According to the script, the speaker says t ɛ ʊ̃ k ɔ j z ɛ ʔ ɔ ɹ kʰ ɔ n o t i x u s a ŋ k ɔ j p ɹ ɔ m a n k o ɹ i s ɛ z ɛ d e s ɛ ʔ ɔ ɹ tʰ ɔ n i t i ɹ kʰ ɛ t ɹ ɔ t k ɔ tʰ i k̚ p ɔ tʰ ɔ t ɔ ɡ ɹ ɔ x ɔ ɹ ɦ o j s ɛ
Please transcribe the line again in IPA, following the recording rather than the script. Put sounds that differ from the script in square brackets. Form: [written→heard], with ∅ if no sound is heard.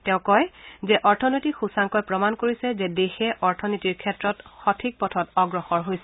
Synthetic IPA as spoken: t ɛ ʊ̃ k ɔ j z ɛ ʔ ɔ ɹ [kʰ→tʰ] ɔ n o t i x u s a ŋ k ɔ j p ɹ ɔ m a n k o ɹ i s ɛ z ɛ d e [s→x] ɛ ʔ ɔ ɹ tʰ ɔ n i t i ɹ kʰ ɛ t ɹ ɔ t [k→x] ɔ tʰ i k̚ p ɔ tʰ ɔ t ɔ ɡ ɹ ɔ x ɔ ɹ ɦ o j s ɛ